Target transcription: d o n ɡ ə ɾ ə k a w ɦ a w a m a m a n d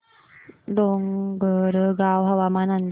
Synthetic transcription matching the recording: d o ŋ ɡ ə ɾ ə ɡ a w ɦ a w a m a n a n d